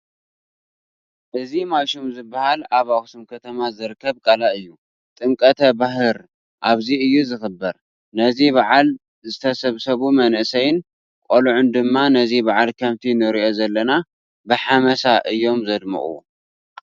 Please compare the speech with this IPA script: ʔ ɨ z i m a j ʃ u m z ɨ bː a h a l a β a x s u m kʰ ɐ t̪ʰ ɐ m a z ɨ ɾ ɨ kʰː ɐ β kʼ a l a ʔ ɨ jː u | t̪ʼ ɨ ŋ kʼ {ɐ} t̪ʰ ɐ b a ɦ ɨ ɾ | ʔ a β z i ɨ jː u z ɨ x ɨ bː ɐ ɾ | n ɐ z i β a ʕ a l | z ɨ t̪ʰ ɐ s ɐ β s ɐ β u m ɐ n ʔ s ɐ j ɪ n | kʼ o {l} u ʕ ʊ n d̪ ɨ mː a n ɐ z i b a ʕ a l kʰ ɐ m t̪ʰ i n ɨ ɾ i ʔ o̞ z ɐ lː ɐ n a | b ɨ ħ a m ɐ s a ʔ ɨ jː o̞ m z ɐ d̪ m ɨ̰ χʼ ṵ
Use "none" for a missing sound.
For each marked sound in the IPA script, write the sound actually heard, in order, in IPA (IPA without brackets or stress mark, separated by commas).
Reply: ɐ, l